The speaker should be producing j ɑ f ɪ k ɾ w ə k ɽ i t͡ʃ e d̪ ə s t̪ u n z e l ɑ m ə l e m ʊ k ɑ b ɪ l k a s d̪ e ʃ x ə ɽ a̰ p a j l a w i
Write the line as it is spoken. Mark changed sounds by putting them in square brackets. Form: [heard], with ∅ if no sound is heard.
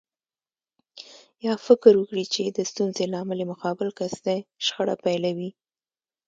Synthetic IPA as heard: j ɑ f ɪ k ɾ w ə k ɽ i t͡ʃ e d̪ ə s t̪ u n z e l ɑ m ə l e m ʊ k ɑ b ɪ l k a s d̪ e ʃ x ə ɽ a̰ p a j l a w i